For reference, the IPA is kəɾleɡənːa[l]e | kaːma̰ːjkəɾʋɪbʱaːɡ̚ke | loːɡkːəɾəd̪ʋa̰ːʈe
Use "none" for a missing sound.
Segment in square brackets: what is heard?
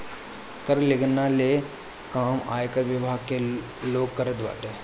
l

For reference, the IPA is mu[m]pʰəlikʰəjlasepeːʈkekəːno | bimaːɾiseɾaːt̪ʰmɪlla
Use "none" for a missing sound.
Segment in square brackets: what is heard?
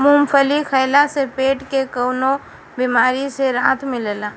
m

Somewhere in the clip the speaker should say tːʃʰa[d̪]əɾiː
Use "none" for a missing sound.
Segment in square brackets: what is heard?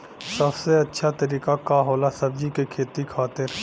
t̪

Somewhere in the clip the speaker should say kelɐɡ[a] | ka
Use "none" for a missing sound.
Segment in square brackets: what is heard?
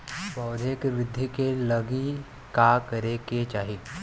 i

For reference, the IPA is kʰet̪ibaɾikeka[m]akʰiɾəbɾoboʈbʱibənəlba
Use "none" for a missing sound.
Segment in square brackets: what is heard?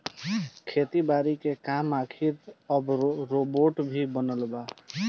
m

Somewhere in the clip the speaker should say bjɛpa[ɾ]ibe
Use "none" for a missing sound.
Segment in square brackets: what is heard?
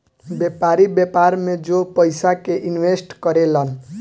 ɾ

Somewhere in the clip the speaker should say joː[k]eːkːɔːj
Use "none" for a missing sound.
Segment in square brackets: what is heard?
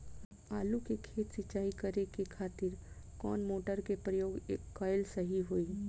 ɡ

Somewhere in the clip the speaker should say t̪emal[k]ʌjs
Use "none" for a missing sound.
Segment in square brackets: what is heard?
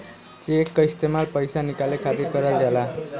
p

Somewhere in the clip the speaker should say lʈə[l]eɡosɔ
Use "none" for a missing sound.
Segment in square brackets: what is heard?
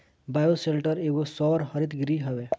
ɾ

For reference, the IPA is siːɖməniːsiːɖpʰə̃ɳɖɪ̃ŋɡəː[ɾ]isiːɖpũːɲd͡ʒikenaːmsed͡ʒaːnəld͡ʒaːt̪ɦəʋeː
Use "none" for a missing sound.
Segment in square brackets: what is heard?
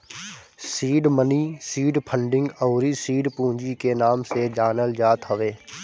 ɾ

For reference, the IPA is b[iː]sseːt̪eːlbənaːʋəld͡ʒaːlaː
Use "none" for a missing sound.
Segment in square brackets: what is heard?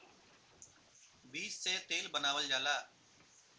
iː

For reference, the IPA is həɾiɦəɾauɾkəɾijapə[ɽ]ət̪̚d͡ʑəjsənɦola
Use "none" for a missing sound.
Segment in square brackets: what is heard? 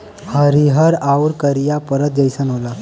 ɾ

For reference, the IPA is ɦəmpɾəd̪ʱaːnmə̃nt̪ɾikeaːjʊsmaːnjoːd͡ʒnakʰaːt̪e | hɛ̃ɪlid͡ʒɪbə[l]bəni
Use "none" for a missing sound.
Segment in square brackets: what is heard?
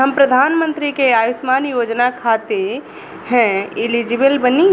l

